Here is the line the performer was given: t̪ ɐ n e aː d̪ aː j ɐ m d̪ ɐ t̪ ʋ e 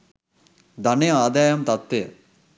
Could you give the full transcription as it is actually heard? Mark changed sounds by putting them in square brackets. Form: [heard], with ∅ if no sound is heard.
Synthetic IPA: [d̪] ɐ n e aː d̪ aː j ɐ m [t̪] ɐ t̪ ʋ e